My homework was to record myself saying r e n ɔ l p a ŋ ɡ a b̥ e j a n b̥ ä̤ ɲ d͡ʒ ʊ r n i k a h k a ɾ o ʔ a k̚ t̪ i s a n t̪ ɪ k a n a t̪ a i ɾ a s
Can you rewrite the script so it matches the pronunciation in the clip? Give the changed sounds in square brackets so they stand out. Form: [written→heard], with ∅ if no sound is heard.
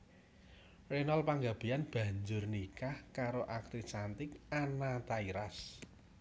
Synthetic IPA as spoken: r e n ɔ l p a ŋ ɡ a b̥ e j a n b̥ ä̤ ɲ d͡ʒ ʊ r n i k a h k a ɾ o ʔ a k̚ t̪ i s a n t̪ ɪ k a n a t̪ a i ɾ a s